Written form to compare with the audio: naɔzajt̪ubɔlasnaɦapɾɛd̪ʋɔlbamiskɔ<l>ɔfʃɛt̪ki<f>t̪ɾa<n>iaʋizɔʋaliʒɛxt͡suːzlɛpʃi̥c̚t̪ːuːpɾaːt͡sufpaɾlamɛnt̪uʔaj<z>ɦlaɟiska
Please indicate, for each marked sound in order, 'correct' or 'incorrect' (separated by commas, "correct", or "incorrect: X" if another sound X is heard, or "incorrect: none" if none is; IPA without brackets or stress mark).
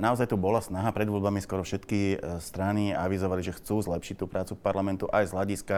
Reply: incorrect: ɾ, incorrect: s, correct, correct